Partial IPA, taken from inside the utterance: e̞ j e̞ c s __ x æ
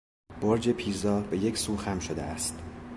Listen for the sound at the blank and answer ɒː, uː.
uː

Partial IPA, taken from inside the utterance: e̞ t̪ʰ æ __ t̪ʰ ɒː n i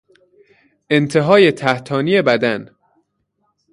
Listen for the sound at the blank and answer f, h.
h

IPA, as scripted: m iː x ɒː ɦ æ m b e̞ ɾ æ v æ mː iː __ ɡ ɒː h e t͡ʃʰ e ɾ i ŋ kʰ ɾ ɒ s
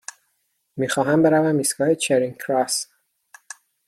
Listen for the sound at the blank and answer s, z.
s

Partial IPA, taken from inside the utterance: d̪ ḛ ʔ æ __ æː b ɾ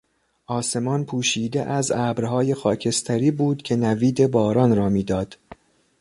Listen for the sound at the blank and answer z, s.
z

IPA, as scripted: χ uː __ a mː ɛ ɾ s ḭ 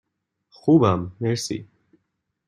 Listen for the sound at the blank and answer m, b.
b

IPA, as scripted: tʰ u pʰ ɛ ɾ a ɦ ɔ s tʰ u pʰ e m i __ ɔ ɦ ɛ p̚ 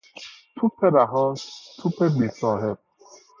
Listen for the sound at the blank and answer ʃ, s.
s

